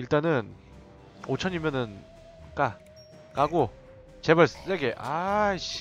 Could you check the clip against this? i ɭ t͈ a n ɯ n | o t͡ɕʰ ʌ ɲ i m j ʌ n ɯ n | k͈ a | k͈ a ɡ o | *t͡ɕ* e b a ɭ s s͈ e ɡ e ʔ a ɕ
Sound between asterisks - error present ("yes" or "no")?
no